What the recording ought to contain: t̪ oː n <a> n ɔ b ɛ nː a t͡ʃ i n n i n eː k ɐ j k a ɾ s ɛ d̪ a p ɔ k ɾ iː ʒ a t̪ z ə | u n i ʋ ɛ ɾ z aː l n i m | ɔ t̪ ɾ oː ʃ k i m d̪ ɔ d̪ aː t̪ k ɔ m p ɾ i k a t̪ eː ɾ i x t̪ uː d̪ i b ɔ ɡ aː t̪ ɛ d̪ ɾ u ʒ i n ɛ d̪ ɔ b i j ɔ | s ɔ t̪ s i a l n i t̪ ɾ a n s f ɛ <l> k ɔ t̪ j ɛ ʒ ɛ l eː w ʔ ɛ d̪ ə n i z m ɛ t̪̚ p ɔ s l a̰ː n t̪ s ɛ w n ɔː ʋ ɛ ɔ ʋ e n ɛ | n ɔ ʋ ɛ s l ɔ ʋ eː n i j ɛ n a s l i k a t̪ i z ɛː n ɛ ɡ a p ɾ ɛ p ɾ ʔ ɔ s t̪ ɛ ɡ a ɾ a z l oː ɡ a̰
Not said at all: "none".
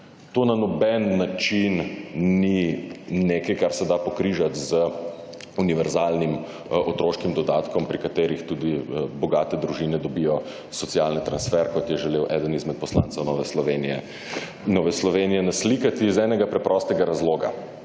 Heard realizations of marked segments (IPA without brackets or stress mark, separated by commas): a, ɾ